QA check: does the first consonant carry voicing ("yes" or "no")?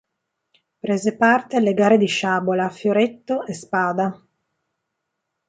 no